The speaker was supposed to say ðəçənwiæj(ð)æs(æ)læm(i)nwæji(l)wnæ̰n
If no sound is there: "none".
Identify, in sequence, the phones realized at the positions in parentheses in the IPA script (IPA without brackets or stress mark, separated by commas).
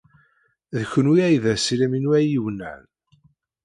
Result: ð, i, i, none